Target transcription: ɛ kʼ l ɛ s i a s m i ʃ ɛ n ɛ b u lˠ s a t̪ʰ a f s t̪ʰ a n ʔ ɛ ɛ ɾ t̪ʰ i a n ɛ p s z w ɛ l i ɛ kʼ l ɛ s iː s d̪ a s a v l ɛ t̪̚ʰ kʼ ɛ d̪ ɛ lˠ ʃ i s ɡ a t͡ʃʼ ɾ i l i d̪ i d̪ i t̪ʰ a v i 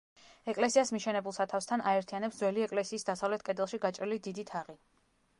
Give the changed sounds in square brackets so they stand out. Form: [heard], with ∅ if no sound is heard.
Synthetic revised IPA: ɛ kʼ l ɛ s i a s m i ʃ ɛ n ɛ b u lˠ s a t̪ʰ a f s t̪ʰ a n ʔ [a] ɛ ɾ t̪ʰ i a n ɛ p s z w ɛ l i ɛ kʼ l ɛ s iː s d̪ a s a v l ɛ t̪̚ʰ kʼ ɛ d̪ ɛ lˠ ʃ i [∅] ɡ a t͡ʃʼ ɾ i l i d̪ i d̪ i t̪ʰ a [ʁ] i